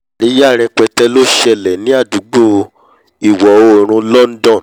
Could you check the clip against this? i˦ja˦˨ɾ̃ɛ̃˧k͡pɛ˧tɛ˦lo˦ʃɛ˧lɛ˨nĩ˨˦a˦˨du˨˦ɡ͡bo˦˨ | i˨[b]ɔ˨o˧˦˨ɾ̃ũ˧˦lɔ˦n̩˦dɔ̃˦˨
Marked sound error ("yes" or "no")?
yes